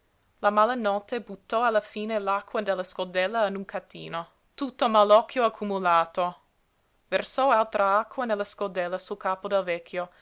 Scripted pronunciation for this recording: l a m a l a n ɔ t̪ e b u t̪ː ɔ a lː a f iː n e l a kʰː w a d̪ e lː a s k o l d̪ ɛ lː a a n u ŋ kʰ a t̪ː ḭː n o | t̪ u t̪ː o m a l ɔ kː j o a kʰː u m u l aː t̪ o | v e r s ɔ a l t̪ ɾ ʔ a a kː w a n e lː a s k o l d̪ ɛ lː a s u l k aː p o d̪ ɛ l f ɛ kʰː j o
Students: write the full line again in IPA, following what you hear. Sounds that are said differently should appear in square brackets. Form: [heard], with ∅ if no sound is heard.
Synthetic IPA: l a m a l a n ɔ t̪ e b u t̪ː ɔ a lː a f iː n e l a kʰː w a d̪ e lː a s k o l d̪ ɛ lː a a n u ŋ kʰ a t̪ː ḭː n o | t̪ u t̪ː o m a l ɔ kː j o a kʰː u m u l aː t̪ o | v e r s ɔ a l t̪ ɾ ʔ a a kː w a n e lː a s k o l d̪ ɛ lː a s u l k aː p o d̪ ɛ l [v] ɛ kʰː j o